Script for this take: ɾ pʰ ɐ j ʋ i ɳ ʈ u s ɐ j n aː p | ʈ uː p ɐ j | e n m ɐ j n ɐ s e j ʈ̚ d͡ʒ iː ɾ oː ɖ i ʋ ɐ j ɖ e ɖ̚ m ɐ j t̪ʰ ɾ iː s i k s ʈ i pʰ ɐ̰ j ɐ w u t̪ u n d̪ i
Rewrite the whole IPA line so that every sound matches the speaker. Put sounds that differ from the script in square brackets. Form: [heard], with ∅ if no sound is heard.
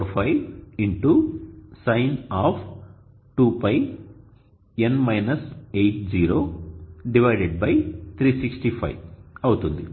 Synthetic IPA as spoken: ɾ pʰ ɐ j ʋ i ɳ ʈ u s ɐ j n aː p | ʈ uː p ɐ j | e n m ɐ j n ɐ s e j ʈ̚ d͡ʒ iː ɾ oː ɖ i ʋ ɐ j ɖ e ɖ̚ [b] ɐ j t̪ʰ ɾ iː s i k s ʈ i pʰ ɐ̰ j ɐ w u t̪ u n d̪ i

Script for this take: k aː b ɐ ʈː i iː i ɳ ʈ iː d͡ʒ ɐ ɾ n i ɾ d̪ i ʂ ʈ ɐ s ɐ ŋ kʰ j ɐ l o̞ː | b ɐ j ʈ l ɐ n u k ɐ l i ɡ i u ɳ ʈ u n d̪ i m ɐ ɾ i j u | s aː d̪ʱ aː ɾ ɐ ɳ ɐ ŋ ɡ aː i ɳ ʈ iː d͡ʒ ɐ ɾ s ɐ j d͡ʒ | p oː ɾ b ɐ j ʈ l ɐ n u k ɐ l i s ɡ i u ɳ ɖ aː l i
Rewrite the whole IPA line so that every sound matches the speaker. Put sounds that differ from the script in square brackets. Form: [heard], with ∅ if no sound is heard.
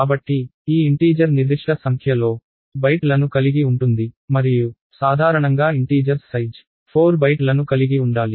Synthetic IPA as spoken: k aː b ɐ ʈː i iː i ɳ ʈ iː d͡ʒ ɐ ɾ n i ɾ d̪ i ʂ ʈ ɐ s ɐ ŋ kʰ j ɐ l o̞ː | b ɐ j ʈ l ɐ n u k ɐ l i ɡ i u ɳ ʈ u n d̪ i m ɐ ɾ i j u | s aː d̪ʱ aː ɾ ɐ ɳ ɐ ŋ ɡ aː i ɳ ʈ iː d͡ʒ ɐ ɾ s ɐ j d͡ʒ | [pʰ] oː ɾ b ɐ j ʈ l ɐ n u k ɐ l i [∅] ɡ i u ɳ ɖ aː l i

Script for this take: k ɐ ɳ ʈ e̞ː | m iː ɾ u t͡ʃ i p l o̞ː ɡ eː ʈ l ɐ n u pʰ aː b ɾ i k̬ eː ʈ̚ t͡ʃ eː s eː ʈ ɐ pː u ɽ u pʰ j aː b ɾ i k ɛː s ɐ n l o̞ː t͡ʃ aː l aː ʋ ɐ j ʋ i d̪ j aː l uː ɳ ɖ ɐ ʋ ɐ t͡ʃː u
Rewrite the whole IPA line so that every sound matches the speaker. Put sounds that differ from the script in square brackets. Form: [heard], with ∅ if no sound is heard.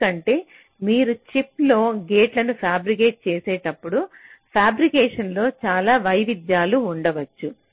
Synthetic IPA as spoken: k ɐ ɳ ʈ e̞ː | m iː ɾ u t͡ʃ i p l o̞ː ɡ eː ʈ l ɐ n u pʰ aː b ɾ i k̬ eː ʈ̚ t͡ʃ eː s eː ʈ ɐ pː u ɽ u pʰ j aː b ɾ i k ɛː [ʂ] ɐ n l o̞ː t͡ʃ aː l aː ʋ ɐ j ʋ i d̪ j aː l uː ɳ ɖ ɐ ʋ ɐ t͡ʃː u

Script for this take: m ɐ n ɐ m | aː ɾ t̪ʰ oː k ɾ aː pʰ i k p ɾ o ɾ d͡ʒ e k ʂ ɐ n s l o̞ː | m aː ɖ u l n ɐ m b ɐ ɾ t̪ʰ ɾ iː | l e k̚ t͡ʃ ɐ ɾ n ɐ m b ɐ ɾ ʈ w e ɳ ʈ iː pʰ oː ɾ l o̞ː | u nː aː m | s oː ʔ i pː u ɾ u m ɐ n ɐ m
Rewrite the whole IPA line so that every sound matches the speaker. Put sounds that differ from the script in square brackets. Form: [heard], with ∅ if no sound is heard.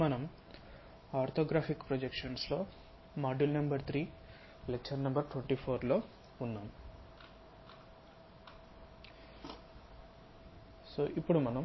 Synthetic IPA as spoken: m ɐ n ɐ m | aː ɾ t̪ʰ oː [ɡ] ɾ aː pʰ i k p ɾ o [∅] d͡ʒ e k ʂ ɐ n s l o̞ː | m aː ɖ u l n ɐ m b ɐ ɾ t̪ʰ ɾ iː | l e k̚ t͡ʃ ɐ ɾ n ɐ m b ɐ ɾ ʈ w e ɳ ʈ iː pʰ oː ɾ l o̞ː | u nː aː m | s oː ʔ i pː u [ɽ] u m ɐ n ɐ m

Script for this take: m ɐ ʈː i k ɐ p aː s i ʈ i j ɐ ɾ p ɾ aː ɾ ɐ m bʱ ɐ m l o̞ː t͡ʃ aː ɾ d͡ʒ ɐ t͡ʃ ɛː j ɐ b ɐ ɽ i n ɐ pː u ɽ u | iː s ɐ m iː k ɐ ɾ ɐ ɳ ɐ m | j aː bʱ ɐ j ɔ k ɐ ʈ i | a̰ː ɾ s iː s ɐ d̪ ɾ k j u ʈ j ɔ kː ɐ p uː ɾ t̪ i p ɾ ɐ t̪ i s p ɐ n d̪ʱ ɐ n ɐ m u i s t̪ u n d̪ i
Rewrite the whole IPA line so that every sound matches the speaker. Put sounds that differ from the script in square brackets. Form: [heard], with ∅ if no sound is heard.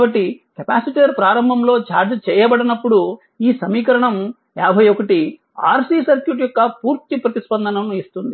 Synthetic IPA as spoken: [b] ɐ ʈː i k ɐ p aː s i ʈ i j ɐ ɾ p ɾ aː ɾ ɐ m bʱ ɐ m l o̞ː t͡ʃ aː ɾ d͡ʒ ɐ t͡ʃ ɛː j ɐ b ɐ ɽ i n ɐ pː u ɽ u | iː s ɐ m iː k ɐ ɾ ɐ ɳ ɐ m | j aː bʱ ɐ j ɔ k ɐ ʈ i | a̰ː ɾ s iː s ɐ [∅] ɾ k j u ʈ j ɔ kː ɐ p uː ɾ t̪ i p ɾ ɐ t̪ i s p ɐ n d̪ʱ ɐ n ɐ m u i s t̪ u n d̪ i

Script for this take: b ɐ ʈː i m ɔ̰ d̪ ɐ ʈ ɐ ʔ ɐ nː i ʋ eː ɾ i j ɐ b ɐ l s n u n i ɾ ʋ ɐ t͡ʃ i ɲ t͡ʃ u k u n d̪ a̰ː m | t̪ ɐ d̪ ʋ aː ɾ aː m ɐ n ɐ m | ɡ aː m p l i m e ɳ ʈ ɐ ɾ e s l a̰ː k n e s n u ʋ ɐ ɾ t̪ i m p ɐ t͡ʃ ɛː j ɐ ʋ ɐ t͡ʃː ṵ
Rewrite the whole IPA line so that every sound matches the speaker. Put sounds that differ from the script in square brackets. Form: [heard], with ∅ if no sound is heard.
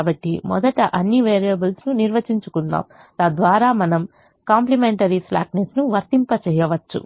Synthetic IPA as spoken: b ɐ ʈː i m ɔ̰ d̪ ɐ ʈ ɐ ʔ ɐ nː i ʋ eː ɾ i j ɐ b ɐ l s n u n i ɾ ʋ ɐ t͡ʃ i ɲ t͡ʃ u k u n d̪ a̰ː m | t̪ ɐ d̪ ʋ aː ɾ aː m ɐ n ɐ m | [k] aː m p l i m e ɳ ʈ ɐ ɾ [i] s l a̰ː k n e s n u ʋ ɐ ɾ t̪ i m p ɐ t͡ʃ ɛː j ɐ ʋ ɐ t͡ʃː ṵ

